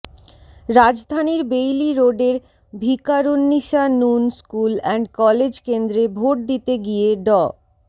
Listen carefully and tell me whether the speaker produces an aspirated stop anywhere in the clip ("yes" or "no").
no